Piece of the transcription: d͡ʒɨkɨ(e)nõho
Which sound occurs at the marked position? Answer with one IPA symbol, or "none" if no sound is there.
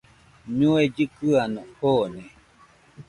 a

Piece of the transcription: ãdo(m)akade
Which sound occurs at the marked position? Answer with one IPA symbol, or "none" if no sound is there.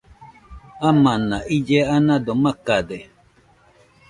m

